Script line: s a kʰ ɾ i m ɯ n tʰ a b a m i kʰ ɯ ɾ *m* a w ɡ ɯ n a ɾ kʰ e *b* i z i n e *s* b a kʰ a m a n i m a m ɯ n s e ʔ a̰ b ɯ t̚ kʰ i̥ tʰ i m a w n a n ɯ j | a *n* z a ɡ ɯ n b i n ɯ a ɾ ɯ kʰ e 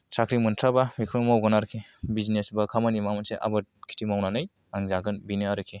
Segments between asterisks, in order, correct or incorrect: correct, correct, correct, incorrect: ŋ

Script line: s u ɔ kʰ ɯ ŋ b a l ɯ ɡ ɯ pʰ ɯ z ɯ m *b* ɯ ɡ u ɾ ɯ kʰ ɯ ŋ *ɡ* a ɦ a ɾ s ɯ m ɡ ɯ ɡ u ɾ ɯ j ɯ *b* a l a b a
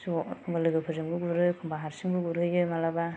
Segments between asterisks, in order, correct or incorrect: incorrect: ɡ, incorrect: b, incorrect: m

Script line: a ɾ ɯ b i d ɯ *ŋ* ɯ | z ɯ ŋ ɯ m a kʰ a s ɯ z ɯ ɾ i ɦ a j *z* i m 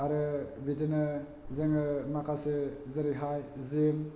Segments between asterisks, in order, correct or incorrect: incorrect: n, correct

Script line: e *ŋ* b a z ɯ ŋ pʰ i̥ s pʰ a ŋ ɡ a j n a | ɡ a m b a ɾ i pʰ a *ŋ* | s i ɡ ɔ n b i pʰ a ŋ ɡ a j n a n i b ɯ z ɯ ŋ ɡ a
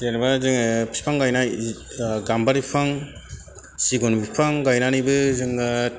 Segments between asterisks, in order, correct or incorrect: incorrect: n, correct

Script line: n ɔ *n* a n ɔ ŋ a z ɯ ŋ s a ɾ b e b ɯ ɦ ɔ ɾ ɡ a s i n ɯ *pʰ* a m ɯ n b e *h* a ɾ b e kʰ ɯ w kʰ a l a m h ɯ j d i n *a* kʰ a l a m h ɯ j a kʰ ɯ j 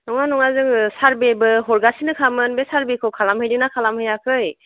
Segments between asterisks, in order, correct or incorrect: incorrect: ŋ, incorrect: kʰ, incorrect: s, correct

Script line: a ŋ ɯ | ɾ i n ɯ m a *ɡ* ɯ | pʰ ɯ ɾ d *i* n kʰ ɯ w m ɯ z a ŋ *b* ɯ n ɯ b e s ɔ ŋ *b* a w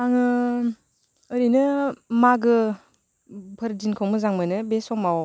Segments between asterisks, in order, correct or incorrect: correct, correct, incorrect: m, incorrect: m

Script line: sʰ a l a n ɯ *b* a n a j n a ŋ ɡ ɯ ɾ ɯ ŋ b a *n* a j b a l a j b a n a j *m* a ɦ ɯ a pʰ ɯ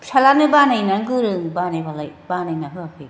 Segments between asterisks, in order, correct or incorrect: correct, correct, incorrect: n

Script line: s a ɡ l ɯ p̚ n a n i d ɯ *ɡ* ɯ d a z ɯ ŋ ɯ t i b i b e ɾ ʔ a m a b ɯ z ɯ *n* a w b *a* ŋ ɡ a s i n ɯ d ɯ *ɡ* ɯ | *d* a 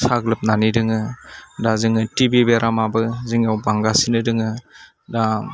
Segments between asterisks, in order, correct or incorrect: incorrect: ŋ, incorrect: ŋ, correct, incorrect: ŋ, correct

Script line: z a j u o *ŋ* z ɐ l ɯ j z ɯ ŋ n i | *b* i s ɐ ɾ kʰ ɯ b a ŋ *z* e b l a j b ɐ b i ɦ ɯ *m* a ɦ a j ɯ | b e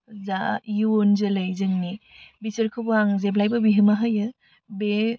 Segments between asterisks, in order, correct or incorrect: incorrect: n, correct, correct, correct

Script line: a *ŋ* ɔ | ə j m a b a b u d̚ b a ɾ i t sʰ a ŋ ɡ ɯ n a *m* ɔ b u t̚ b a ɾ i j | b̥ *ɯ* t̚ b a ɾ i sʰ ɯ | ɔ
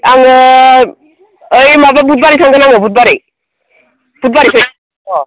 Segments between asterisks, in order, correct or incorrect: correct, incorrect: ŋ, incorrect: u

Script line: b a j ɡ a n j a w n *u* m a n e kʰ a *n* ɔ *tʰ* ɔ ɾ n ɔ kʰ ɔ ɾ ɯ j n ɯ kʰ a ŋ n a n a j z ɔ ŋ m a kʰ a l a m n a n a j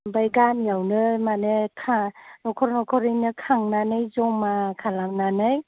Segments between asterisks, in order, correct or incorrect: incorrect: ɯ, correct, incorrect: kʰ

